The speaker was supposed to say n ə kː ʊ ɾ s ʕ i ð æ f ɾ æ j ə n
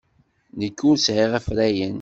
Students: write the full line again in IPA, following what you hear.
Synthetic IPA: n ə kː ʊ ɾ s ʕ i ʁ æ f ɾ æ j ə n

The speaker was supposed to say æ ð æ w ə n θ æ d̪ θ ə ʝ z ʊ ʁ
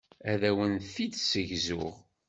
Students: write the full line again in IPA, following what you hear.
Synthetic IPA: æ ð æ w ə n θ i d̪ s ə ʝ z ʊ ʁ

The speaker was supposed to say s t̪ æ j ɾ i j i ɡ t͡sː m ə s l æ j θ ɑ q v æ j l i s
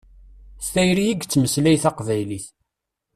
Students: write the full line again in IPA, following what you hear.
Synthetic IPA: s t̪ æ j ɾ i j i ɡ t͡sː m ə s l æ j θ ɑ q v æ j l i θ

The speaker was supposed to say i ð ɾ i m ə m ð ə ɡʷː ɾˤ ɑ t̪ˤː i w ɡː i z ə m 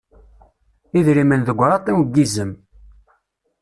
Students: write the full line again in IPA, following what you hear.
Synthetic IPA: i ð ɾ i m ə n ð ə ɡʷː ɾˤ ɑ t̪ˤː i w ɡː i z ə m

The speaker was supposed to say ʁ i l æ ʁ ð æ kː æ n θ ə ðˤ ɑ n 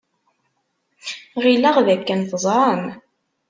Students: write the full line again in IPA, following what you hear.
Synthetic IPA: ʁ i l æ ʁ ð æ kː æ n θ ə zˤ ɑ n

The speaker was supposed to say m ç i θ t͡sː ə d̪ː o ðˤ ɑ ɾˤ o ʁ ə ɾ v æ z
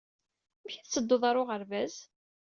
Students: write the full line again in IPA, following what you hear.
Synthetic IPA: m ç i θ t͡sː ə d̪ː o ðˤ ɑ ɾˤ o ʁ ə ɾ v æ z

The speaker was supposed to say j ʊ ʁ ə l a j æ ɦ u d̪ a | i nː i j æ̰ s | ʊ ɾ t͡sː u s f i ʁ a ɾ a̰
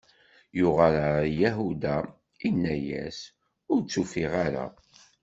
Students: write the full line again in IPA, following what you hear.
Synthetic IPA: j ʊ ʁ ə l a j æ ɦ u d̪ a | i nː æ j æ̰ s | ʊ ɾ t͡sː u f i ʁ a ɾ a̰

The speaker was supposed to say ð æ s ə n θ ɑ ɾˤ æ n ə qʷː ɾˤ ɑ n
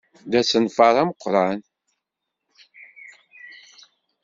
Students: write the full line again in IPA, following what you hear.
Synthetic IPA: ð æ s ə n f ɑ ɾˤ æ m ə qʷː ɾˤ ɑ n

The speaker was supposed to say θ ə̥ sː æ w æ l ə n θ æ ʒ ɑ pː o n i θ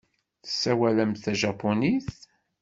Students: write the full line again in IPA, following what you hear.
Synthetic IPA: θ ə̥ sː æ w æ l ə m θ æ ʒ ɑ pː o n i θ

